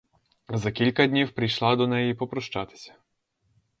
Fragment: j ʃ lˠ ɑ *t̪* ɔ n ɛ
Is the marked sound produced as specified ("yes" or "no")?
no